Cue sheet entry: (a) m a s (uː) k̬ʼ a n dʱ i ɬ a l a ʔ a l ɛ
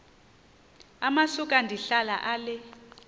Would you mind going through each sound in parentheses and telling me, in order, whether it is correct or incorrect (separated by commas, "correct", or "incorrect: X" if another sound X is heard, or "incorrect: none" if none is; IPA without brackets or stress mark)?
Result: correct, incorrect: u